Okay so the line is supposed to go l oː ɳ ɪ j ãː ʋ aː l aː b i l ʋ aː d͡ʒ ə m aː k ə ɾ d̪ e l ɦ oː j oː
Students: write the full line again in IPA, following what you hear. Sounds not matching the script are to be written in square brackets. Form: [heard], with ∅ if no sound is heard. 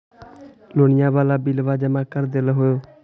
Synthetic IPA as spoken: l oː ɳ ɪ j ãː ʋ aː l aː b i l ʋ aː d͡ʒ ə m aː k ə ɾ d̪ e l ɦ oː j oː